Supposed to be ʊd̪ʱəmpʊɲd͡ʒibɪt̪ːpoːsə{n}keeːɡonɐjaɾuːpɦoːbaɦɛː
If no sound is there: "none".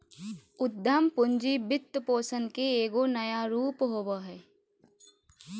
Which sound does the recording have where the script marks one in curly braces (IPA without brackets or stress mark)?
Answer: n